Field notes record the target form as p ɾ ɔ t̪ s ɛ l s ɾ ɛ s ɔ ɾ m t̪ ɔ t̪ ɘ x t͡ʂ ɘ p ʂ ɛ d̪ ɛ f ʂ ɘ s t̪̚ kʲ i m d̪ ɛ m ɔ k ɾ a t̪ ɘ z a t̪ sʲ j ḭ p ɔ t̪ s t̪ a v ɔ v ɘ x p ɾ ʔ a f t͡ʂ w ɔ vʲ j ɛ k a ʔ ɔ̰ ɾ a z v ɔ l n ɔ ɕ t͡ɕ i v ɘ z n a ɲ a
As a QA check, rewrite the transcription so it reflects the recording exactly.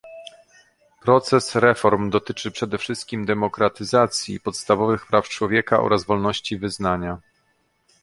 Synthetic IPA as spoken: p ɾ ɔ t̪ s ɛ s ɾ ɛ f ɔ ɾ m d̪ ɔ t̪ ɘ t͡ʂ ɘ p ʂ ɛ d̪ ɛ f ʂ ɘ s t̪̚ kʲ i m d̪ ɛ m ɔ k ɾ a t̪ ɘ z a t̪ sʲ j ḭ p ɔ t̪ s t̪ a v ɔ v ɘ x p ɾ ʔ a f t͡ʂ w ɔ vʲ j ɛ k a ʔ ɔ̰ ɾ a z v ɔ l n ɔ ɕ t͡ɕ i v ɘ z n a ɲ a